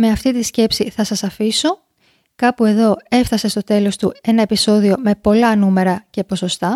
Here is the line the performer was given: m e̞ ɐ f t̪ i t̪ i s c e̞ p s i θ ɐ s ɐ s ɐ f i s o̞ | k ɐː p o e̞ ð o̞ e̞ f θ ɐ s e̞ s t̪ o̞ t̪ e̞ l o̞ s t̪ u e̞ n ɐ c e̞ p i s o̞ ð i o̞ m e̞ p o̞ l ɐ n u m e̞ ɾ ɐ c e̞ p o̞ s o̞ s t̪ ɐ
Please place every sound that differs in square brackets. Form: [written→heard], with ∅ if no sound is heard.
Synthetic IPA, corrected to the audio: m e̞ ɐ f t̪ i t̪ i s c e̞ p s i θ ɐ s ɐ s ɐ f i s o̞ | k [ɐː→ɐ] p [o→u] e̞ ð o̞ e̞ f θ ɐ s e̞ s t̪ o̞ t̪ e̞ l o̞ s t̪ u e̞ n ɐ [c→∅] e̞ p i s o̞ ð i o̞ m e̞ p o̞ l ɐ n u m e̞ ɾ ɐ c e̞ p o̞ s o̞ s t̪ ɐ